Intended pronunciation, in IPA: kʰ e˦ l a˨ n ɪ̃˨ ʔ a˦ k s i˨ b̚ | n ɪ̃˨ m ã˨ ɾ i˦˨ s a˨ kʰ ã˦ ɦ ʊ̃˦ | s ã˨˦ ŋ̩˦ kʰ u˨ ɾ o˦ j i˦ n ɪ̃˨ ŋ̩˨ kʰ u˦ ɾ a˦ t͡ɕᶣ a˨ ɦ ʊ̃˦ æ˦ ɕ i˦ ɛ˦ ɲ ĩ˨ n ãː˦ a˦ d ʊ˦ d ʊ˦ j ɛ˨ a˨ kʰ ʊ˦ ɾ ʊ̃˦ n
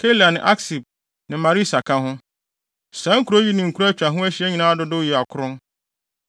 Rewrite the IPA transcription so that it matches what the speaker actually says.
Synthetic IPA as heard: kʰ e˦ l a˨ n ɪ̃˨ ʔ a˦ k s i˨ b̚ | n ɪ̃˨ m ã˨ ɾ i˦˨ s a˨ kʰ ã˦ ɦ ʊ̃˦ | s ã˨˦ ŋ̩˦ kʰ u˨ ɾ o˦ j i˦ n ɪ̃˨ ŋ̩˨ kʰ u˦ ɾ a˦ t͡ɕᶣ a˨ ɦ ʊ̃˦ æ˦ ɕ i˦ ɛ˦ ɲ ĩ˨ n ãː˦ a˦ d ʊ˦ d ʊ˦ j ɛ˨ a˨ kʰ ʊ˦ ɾ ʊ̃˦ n